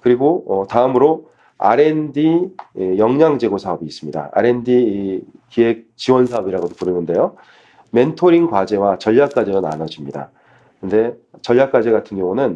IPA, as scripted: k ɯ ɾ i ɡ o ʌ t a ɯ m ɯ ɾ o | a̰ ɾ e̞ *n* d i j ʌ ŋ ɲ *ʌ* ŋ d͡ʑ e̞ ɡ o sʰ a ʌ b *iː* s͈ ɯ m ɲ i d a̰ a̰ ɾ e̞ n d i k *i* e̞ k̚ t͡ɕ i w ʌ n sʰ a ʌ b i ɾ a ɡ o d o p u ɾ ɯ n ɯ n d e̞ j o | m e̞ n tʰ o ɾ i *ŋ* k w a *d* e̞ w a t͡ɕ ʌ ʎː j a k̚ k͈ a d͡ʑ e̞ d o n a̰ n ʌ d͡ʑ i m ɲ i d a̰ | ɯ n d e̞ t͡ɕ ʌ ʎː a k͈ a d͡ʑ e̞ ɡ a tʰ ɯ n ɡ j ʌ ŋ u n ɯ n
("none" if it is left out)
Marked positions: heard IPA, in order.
n, a, iː, i, ŋ, d͡ʑ

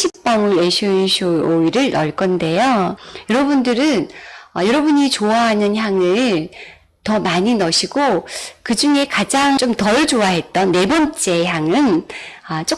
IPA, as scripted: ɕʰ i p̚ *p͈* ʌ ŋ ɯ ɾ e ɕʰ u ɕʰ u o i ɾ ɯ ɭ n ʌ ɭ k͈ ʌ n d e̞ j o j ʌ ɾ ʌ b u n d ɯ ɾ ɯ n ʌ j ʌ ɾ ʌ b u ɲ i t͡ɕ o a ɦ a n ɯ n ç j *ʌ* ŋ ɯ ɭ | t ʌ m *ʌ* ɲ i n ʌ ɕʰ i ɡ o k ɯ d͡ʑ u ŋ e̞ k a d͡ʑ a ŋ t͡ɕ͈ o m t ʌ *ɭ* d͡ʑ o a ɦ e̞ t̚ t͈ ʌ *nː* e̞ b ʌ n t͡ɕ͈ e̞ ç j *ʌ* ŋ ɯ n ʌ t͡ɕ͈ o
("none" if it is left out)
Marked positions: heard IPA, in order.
p͈, a, a, ɭ, nː, a

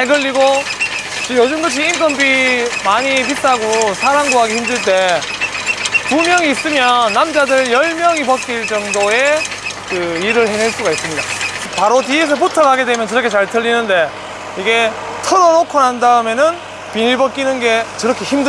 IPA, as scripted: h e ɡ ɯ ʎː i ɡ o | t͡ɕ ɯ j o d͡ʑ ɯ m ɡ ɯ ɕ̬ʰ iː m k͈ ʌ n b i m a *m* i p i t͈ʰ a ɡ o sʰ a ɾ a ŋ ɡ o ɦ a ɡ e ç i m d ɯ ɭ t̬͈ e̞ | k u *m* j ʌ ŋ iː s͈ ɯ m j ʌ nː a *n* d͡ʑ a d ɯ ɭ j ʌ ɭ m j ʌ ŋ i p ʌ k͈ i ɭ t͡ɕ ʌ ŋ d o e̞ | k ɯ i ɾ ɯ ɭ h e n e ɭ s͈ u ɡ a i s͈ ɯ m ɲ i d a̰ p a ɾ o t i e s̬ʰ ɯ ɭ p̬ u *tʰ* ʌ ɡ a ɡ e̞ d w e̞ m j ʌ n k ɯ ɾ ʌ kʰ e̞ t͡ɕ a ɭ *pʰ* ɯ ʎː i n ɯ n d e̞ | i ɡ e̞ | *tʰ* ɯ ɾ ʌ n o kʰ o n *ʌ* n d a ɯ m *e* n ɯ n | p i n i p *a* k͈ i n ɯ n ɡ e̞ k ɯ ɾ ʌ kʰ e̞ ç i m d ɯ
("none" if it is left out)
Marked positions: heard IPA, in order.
ɲ, m, m, tʰ, tʰ, tʰ, a, e, ʌ

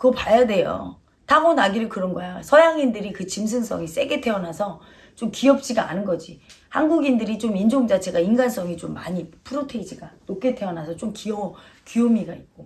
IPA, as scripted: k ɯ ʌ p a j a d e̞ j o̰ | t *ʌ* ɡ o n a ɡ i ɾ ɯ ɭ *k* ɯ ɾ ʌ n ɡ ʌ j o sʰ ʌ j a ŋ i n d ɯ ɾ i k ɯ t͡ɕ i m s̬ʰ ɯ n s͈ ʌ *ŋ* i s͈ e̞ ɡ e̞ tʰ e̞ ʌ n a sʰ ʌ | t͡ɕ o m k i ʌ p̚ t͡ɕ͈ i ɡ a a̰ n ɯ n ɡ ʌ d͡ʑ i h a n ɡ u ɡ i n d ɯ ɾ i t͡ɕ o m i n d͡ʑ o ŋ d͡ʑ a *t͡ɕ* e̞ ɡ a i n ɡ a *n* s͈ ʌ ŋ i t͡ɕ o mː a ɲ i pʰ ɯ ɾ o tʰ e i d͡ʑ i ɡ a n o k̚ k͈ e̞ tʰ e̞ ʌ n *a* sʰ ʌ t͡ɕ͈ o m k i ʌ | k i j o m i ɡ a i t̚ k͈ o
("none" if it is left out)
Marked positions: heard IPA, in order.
a, k, ŋ, t͡ɕʰ, n, a

